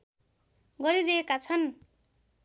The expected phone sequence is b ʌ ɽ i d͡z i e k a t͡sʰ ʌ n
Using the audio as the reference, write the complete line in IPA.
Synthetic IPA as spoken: ɡ ʌ ɾ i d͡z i e k a t͡sʰ ʌ n

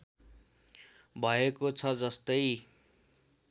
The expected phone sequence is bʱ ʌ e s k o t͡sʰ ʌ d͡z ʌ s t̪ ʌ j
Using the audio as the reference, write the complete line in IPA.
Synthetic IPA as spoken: bʱ ʌ e k o t͡sʰ ʌ d͡z ʌ s t̪ ʌ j

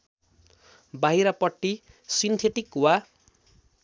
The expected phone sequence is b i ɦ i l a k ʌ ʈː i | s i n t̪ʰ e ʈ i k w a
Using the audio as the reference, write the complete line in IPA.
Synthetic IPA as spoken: b a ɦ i ɾ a p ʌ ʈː i | s i n t̪ʰ e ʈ i k w a

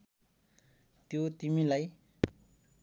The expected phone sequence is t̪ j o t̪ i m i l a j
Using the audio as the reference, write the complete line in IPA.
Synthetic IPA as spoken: t̪ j o t̪ i m i l a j

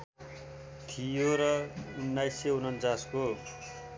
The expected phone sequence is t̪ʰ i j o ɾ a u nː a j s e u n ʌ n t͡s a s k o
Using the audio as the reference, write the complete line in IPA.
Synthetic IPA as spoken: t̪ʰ i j o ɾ ʌ u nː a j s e u n ʌ n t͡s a s k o

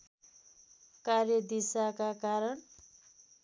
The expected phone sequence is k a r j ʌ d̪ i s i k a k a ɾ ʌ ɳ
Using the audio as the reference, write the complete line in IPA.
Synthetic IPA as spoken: k a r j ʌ d̪ i s a k a k a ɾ ʌ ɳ

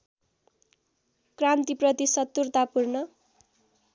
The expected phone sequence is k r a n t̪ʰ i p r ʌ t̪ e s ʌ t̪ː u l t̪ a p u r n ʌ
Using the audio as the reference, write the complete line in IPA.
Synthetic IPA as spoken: k r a n t̪ i p r ʌ t̪ i s ʌ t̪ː u r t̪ a p u r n ʌ

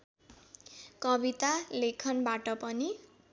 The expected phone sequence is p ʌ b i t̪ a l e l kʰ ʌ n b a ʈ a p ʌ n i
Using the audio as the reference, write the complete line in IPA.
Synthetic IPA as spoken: k ʌ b i t̪ a l e kʰ ʌ n b a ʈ ʌ p ʌ n i

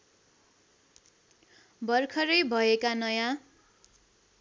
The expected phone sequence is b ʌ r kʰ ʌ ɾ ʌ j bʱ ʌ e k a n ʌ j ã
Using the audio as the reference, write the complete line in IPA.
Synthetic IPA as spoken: b ʌ r kʰ ʌ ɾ ʌ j bʱ ʌ e k a n ʌ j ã

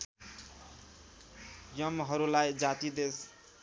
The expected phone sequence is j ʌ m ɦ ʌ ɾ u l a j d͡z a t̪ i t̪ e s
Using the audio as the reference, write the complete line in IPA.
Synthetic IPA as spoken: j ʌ m ɦ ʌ ɾ u l a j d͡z a t̪ i d̪ e s

